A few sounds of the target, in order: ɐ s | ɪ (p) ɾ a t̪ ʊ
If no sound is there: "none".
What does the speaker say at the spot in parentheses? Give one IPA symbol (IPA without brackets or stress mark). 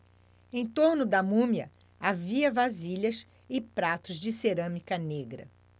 p